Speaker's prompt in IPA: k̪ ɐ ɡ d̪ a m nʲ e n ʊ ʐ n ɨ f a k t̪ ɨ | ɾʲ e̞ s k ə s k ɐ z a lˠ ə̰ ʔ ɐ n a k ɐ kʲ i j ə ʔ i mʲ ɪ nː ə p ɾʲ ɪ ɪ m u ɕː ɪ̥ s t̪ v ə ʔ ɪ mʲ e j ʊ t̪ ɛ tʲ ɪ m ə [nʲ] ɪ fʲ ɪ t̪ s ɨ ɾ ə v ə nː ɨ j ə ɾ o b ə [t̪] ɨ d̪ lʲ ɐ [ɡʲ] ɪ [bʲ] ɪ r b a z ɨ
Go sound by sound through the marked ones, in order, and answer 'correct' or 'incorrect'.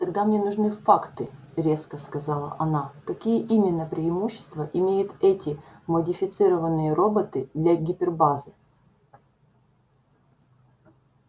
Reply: incorrect: dʲ, correct, correct, incorrect: pʲ

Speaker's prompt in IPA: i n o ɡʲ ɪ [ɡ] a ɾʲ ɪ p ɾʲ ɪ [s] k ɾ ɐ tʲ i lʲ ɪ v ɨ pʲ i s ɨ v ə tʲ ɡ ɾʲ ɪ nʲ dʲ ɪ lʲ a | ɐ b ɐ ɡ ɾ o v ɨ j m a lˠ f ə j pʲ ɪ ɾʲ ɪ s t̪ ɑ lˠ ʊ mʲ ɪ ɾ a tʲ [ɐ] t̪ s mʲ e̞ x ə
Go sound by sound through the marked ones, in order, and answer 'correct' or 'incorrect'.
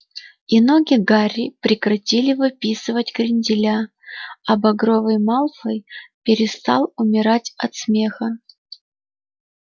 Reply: correct, incorrect: none, correct

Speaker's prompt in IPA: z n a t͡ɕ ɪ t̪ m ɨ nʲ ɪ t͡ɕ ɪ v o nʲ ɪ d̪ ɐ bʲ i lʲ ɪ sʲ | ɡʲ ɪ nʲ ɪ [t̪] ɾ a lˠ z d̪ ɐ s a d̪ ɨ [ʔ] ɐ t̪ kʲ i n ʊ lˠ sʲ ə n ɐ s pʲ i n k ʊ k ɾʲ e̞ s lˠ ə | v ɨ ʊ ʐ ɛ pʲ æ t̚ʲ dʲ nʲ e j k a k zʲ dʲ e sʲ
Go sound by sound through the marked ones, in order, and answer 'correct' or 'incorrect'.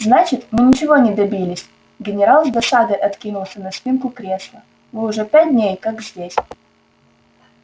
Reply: incorrect: none, correct

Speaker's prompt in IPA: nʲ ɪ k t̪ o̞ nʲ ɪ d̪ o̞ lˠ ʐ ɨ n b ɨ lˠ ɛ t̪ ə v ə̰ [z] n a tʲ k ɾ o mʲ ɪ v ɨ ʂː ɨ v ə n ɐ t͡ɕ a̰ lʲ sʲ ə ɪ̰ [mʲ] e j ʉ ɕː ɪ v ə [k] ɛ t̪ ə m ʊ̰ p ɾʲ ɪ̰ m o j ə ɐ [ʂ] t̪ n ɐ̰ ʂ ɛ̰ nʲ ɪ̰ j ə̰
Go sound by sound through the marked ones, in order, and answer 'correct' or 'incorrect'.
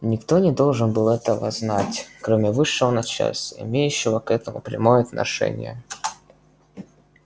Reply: correct, correct, correct, incorrect: none

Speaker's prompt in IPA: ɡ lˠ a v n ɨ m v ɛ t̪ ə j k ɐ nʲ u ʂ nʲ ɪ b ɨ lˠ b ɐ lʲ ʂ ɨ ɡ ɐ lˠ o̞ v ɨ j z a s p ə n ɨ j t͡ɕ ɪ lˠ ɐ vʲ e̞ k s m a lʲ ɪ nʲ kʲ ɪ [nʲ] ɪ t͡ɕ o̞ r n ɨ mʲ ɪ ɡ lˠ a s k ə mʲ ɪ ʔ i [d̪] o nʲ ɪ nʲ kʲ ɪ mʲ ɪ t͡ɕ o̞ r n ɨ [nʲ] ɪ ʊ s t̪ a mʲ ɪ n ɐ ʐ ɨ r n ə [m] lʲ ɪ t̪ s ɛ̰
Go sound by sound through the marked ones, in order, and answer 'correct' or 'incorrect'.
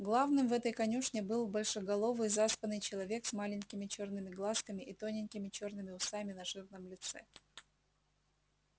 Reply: incorrect: mʲ, incorrect: t̪, incorrect: mʲ, correct

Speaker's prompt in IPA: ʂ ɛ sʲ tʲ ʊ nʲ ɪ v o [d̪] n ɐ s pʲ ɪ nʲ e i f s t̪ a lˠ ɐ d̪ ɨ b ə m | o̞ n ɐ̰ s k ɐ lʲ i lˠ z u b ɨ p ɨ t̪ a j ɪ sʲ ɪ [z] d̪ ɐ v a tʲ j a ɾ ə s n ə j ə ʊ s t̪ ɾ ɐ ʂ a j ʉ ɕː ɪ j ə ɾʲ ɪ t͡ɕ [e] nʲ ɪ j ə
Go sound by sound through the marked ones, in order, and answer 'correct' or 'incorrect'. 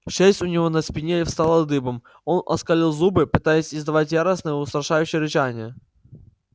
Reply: incorrect: none, correct, incorrect: a

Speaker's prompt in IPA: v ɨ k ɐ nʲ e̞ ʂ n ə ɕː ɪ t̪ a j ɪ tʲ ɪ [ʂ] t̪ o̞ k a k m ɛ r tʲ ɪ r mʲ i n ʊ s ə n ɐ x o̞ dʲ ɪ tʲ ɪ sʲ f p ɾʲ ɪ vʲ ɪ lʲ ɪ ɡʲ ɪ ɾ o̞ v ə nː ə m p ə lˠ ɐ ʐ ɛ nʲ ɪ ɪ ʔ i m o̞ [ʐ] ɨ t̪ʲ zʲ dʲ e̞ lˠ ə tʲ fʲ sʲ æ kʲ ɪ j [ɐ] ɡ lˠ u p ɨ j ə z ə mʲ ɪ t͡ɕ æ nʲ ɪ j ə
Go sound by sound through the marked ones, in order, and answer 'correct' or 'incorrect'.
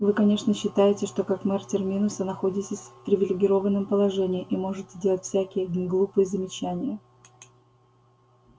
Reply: correct, correct, incorrect: ə

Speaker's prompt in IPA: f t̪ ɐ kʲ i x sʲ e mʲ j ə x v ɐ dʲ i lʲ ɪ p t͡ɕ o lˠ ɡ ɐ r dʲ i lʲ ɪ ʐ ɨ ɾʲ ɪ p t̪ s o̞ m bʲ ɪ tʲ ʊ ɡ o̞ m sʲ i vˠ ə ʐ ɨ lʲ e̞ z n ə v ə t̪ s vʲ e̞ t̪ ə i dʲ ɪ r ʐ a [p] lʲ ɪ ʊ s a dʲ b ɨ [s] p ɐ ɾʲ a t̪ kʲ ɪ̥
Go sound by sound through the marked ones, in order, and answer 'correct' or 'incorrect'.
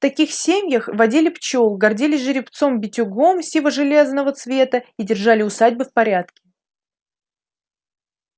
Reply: incorrect: none, incorrect: f

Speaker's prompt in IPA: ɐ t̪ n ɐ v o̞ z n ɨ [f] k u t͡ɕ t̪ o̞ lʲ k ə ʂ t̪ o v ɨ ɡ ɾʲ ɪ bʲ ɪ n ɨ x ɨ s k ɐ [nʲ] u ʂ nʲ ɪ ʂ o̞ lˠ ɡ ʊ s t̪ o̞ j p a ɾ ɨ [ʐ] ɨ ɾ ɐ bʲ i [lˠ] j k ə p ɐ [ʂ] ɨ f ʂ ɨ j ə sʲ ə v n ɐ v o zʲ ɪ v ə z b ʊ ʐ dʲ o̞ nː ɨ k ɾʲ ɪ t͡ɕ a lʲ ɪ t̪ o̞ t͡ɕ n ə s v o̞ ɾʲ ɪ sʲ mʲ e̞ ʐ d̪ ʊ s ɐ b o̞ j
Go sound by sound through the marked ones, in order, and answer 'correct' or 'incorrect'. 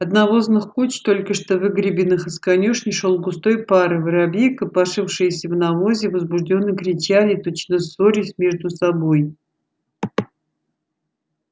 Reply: incorrect: x, correct, incorrect: v, incorrect: none, correct

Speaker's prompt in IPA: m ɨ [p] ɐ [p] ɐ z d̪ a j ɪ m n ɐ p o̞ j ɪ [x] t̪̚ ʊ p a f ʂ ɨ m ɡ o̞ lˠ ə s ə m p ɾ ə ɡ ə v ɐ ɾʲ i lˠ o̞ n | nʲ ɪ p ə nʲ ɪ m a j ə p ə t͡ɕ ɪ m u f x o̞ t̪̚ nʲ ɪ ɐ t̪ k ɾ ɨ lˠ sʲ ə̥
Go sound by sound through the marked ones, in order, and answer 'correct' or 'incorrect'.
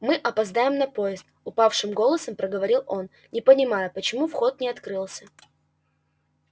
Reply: incorrect: ʔ, correct, incorrect: s

